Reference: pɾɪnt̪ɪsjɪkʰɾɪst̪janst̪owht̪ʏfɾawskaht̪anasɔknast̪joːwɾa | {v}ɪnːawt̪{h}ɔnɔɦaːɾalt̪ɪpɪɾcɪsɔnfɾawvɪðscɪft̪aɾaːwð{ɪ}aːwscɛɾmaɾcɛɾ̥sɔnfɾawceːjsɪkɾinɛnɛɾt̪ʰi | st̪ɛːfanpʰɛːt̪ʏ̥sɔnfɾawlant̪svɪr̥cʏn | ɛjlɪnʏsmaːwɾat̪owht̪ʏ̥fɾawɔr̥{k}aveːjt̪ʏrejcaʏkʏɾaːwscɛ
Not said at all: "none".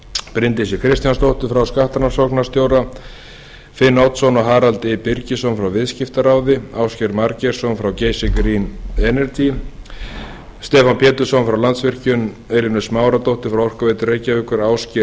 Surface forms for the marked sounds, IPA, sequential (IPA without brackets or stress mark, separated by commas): f, s, ɪ, k